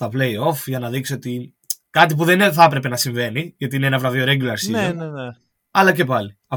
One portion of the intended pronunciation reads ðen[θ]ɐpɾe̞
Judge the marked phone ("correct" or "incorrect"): correct